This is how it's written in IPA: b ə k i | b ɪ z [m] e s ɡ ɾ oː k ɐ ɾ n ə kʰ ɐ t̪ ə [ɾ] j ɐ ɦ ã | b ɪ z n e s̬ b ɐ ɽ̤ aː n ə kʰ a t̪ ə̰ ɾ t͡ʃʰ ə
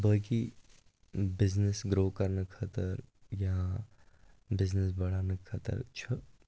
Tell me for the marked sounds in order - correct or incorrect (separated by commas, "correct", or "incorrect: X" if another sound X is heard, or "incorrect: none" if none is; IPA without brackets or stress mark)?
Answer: incorrect: n, correct